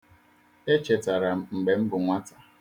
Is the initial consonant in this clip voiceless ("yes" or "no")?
yes